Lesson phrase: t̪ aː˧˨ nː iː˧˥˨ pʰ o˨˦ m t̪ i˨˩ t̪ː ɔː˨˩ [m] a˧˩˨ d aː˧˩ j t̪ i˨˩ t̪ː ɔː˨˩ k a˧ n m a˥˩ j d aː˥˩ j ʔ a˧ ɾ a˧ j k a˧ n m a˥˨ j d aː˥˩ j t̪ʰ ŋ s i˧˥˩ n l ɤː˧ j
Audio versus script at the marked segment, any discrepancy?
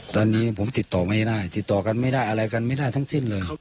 no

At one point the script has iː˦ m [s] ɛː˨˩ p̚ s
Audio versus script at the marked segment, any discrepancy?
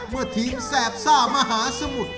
no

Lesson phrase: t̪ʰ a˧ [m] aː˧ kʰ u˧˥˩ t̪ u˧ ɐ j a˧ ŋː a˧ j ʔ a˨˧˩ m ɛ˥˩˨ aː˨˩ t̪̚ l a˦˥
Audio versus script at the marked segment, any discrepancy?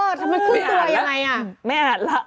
no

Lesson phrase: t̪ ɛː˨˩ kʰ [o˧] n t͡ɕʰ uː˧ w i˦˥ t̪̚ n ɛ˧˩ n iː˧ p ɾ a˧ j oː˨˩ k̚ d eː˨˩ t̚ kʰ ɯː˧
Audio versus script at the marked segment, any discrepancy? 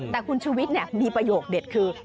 yes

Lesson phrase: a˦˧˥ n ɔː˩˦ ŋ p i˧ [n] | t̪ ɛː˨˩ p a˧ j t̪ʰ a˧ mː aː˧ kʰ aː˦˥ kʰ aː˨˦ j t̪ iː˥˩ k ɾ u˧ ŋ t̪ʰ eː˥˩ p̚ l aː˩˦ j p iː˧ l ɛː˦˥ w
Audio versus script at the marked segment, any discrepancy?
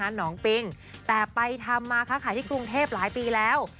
yes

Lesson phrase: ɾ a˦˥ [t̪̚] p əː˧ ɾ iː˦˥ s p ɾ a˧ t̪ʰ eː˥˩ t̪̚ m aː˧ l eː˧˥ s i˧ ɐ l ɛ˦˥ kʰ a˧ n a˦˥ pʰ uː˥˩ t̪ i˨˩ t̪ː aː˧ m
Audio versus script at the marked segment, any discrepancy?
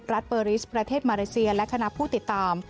no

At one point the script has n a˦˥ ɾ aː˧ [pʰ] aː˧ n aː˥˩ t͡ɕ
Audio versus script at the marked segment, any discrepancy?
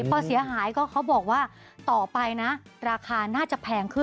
yes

